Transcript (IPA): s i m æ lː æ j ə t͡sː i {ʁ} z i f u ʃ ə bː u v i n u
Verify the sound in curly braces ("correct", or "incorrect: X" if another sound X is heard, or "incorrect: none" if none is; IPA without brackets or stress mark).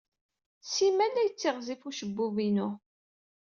correct